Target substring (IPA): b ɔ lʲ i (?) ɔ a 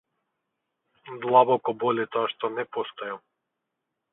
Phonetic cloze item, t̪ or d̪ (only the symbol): t̪